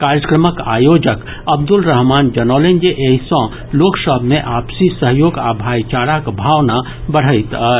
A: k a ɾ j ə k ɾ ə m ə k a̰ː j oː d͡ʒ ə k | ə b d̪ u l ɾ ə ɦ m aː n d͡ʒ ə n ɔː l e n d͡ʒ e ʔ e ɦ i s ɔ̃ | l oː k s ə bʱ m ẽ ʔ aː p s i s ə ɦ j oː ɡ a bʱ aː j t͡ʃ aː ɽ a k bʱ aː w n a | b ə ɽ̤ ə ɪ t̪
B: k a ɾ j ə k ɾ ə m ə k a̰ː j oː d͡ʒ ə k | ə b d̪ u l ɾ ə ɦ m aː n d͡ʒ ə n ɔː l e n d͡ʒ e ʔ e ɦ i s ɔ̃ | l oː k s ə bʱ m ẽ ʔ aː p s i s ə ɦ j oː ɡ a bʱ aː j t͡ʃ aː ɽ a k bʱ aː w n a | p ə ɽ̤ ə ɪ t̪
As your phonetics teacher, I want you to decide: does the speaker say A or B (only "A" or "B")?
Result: A